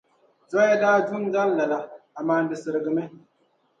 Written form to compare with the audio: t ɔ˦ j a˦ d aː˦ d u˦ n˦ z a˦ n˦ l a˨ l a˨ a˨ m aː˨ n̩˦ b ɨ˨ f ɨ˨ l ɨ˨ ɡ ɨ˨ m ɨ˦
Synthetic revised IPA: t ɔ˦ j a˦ d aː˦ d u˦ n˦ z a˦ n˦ l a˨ l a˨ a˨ m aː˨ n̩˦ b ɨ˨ s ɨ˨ ɾ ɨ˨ ɡ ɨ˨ m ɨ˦